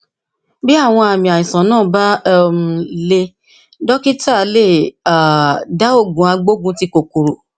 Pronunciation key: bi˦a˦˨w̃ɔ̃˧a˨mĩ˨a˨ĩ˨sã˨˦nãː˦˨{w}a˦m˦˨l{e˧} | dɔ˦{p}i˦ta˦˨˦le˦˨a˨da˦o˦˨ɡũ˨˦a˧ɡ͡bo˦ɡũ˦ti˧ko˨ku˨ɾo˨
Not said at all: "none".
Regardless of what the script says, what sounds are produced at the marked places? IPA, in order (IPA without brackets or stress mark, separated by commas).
b, e˧, k